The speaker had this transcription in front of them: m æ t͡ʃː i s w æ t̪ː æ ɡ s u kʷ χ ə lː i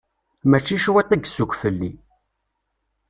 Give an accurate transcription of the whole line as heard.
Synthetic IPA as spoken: m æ t͡ʃː i ʃ w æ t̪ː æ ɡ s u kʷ f ə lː i